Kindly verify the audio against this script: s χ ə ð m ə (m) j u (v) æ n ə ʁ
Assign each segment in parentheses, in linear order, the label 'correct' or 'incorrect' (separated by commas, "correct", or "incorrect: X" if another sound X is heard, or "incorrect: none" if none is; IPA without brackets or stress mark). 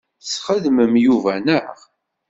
correct, correct